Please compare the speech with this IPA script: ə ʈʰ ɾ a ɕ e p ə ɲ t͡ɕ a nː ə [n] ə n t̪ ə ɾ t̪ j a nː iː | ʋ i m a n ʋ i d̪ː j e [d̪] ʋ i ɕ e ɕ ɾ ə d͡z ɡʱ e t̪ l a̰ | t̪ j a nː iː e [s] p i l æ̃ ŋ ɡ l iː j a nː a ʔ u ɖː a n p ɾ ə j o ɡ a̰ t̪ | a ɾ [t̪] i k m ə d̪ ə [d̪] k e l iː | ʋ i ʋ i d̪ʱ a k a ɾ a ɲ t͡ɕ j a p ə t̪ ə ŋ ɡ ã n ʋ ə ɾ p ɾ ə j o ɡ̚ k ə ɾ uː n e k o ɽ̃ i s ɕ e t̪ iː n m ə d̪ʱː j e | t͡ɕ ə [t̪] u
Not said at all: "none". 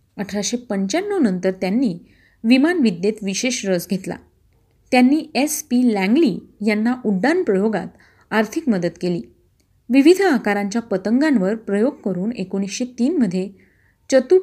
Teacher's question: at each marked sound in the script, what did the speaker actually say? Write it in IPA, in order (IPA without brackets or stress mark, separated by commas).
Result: n, t̪, s, t̪ʰ, t̪, t̪